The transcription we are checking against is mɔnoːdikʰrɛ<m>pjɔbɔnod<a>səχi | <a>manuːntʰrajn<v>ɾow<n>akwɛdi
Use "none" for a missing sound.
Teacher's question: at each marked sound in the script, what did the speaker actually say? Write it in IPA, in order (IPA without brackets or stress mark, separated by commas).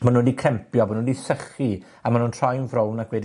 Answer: m, i, a, v, n